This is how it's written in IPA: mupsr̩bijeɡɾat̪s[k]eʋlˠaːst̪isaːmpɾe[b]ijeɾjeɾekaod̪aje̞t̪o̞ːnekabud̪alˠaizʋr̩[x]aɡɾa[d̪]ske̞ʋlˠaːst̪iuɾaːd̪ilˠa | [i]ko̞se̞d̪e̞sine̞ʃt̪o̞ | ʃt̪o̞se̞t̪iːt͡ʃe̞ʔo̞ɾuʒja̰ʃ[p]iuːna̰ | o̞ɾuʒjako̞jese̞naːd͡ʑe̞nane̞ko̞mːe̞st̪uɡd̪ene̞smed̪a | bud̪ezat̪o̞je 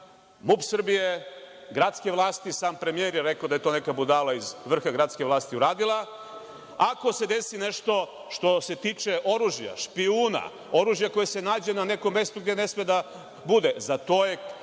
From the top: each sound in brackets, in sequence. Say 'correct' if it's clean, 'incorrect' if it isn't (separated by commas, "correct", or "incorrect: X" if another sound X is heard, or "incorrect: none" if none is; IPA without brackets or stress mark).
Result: correct, incorrect: m, correct, incorrect: t̪, incorrect: a, correct